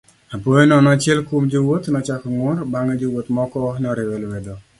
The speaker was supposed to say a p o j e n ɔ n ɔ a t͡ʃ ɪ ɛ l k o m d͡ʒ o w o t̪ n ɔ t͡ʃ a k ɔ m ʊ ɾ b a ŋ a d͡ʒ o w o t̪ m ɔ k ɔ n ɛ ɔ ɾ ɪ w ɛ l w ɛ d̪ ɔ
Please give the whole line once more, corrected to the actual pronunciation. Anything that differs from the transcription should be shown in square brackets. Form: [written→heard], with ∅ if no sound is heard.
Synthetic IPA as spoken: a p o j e n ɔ n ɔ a t͡ʃ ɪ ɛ l k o m d͡ʒ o w o t̪ n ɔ t͡ʃ a k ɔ [m→ŋ] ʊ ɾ b a ŋ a d͡ʒ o w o t̪ m ɔ k ɔ n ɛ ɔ ɾ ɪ w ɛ l w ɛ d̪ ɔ